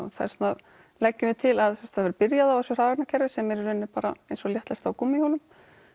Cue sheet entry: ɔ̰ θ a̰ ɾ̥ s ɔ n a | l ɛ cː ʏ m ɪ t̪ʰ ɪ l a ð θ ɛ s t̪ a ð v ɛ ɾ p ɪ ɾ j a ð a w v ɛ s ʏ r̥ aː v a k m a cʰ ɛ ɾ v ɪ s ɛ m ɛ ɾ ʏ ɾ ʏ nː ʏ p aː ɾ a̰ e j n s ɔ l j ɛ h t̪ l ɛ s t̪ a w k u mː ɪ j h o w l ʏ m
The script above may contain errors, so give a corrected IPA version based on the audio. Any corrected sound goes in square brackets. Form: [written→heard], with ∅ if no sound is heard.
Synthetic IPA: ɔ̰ θ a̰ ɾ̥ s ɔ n a | l ɛ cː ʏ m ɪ t̪ʰ ɪ l a ð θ ɛ s t̪ a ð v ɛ ɾ p ɪ ɾ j a ð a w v ɛ s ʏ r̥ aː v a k [m→n] a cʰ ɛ ɾ v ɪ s ɛ m ɛ ɾ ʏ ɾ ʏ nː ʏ p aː ɾ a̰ e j n s ɔ l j ɛ h t̪ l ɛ s t̪ a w k u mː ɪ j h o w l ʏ m

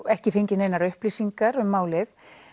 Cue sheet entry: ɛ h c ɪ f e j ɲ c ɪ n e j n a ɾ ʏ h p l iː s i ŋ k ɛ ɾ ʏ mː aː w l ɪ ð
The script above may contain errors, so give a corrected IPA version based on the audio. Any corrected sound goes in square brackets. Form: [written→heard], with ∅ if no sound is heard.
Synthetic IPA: ɛ h c ɪ f e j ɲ c ɪ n e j n a ɾ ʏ h p l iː s i ŋ k [ɛ→a] ɾ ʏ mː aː w l ɪ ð

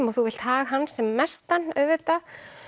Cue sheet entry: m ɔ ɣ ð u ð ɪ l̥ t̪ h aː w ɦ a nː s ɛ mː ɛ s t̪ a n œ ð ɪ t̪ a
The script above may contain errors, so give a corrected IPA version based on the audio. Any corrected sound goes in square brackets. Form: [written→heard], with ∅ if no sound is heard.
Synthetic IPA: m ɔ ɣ [ð→θ] u [ð→v] ɪ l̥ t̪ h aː [w→ɣ] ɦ a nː s ɛ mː ɛ s t̪ a n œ [ð→v] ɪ t̪ a

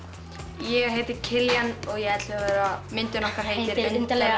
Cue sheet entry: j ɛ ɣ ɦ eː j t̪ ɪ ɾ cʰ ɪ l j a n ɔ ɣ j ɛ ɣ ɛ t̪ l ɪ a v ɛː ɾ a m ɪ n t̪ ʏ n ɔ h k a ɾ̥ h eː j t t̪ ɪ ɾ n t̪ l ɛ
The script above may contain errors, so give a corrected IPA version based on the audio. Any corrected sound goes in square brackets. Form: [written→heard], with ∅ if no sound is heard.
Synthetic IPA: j ɛ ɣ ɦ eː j t̪ ɪ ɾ cʰ ɪ l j a n ɔ ɣ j ɛ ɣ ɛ t̪ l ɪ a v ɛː ɾ a m ɪ n t̪ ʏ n ɔ h k a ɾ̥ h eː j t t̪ ɪ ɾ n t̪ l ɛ

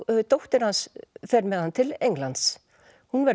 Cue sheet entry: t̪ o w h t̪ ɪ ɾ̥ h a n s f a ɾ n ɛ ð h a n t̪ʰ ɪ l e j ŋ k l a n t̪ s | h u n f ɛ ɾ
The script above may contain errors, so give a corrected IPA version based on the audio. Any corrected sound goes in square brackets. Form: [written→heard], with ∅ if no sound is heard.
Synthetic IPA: t̪ o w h t̪ ɪ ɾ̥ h a n s f [a→ɛ] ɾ [n→m] ɛ ð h a n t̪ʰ ɪ l e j ŋ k l a n t̪ s | h u n [f→v] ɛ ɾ

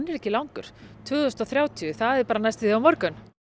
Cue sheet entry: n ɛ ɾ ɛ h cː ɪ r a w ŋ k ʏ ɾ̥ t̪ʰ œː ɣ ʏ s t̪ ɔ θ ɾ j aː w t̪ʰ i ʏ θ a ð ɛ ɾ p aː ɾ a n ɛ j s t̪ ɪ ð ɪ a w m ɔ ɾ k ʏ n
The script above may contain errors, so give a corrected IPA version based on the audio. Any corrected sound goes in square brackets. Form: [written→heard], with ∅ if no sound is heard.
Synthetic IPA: n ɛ ɾ ɛ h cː ɪ [r→l] a w ŋ k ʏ ɾ̥ t̪ʰ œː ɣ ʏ s t̪ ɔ θ ɾ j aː w t̪ʰ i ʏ θ a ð ɛ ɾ p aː ɾ a n [ɛ→a] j s t̪ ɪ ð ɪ a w m ɔ ɾ k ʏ n

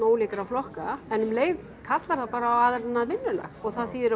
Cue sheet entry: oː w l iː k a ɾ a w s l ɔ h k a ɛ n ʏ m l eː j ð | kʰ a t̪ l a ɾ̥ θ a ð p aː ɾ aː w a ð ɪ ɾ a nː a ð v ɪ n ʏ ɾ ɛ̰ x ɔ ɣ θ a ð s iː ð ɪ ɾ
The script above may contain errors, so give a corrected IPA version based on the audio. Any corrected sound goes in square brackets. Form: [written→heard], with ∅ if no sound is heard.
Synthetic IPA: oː w l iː k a ɾ a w [s→f] l ɔ h k a ɛ n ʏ m l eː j ð | kʰ a t̪ l a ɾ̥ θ a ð p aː ɾ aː w a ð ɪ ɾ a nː a ð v ɪ [n→nː] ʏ [ɾ→l] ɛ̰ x ɔ ɣ θ a ð s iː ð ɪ ɾ

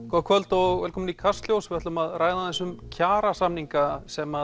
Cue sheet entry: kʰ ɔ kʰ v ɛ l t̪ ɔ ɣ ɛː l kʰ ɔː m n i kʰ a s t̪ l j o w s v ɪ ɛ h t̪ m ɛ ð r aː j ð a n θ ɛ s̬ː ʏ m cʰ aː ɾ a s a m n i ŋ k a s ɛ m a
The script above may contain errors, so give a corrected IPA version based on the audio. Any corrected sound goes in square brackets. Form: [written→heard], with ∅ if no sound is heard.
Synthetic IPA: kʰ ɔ kʰ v [ɛ→œ] l t̪ ɔ ɣ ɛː l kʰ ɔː m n i kʰ a s t̪ l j o w s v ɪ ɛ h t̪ m [ɛ→a] ð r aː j ð a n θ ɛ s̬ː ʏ m cʰ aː ɾ a s a m n i ŋ k a s ɛ m a

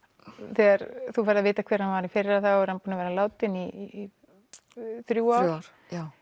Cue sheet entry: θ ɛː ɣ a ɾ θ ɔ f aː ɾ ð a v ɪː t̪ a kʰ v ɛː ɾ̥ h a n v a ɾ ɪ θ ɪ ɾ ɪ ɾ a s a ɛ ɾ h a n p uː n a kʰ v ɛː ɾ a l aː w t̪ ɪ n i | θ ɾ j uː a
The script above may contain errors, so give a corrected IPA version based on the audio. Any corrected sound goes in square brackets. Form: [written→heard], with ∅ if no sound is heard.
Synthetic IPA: θ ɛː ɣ a ɾ θ [ɔ→u] f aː ɾ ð a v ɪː t̪ a kʰ v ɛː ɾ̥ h a n v a ɾ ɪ [θ→f] ɪ ɾ ɪ ɾ a [s→θ] a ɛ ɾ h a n p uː n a [kʰ→∅] v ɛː ɾ a l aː w t̪ ɪ n i | θ ɾ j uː a

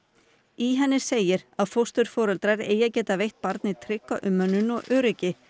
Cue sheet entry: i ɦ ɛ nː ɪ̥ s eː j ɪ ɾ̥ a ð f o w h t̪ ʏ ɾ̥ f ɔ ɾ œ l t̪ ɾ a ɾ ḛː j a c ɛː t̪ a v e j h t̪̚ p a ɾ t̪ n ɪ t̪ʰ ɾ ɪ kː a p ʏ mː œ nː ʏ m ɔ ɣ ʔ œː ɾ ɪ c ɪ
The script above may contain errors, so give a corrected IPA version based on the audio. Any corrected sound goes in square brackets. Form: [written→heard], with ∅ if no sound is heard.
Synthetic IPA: i ɦ ɛ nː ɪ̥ s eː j ɪ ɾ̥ a ð f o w [h→s] t̪ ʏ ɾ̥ f [ɔ→ɔː] ɾ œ l t̪ ɾ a ɾ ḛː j a c ɛː t̪ a v e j h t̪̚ p a ɾ t̪ n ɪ t̪ʰ ɾ ɪ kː a [p→ʔ] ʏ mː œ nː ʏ [m→n] ɔ ɣ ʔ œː ɾ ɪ c ɪ

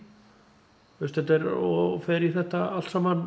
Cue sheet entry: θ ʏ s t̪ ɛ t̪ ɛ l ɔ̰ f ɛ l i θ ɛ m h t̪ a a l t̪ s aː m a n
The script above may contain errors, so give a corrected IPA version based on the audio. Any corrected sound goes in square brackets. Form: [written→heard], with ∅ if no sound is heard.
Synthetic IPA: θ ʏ s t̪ ɛ t̪ ɛ [l→ɾ] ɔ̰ f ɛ [l→ɾ] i θ ɛ [m→∅] h t̪ a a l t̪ s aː m a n

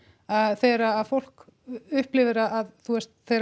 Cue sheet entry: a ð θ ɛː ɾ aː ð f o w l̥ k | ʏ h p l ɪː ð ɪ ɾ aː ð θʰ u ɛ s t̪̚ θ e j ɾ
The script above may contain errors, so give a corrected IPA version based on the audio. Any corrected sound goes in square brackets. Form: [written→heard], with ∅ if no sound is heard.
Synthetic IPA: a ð θ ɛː ɾ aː ð f o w l̥ k | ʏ h p l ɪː [ð→v] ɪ ɾ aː ð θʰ u ɛ s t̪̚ θ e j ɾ

